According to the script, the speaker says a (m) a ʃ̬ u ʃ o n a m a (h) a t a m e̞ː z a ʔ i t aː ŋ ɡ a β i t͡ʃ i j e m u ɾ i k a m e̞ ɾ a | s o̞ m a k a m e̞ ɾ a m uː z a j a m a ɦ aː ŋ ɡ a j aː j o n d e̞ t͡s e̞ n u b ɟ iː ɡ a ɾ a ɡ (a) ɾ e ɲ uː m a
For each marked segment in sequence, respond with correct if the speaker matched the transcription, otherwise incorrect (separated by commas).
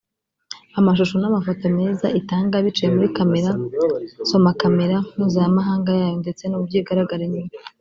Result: correct, incorrect, correct